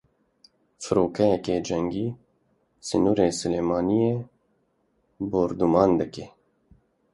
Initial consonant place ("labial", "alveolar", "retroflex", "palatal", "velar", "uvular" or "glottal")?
labial